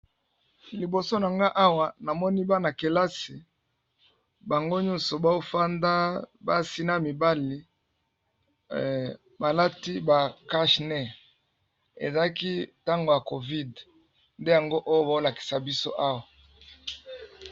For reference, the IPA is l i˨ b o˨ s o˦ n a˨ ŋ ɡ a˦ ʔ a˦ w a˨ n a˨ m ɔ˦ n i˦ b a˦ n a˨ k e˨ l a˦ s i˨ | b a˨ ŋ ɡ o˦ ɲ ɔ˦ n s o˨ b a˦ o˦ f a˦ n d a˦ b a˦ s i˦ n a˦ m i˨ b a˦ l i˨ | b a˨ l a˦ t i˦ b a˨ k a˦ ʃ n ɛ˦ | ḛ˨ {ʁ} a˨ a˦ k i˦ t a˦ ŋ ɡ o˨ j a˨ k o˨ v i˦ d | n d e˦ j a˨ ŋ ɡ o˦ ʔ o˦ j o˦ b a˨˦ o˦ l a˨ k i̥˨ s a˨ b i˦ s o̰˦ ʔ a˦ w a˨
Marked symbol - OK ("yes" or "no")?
no